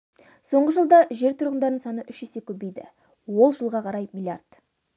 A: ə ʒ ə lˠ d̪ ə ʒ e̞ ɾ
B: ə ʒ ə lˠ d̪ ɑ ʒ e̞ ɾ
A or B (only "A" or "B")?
B